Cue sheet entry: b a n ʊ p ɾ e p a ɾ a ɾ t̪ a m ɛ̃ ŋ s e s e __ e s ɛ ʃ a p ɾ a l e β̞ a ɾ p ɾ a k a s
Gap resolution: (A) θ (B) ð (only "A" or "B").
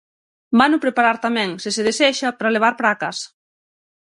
B